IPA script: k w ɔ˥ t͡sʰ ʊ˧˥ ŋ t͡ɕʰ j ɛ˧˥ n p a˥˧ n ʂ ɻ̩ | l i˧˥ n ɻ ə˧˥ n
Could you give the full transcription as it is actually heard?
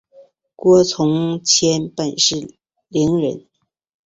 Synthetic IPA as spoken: k w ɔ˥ t͡sʰ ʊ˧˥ ŋ t͡ɕʰ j ɛ˥ n p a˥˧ n ʂ ɻ̩ | l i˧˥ ŋ ɻ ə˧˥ n